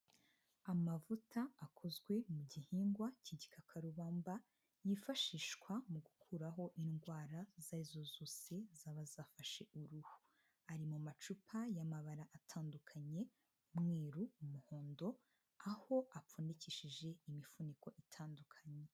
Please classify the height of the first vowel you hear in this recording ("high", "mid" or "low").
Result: low